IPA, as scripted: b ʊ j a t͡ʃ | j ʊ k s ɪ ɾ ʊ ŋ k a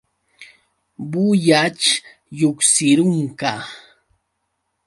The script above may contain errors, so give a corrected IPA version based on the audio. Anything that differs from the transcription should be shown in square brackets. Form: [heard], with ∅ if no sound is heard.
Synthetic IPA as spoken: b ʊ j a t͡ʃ | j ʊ k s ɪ ɾ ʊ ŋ k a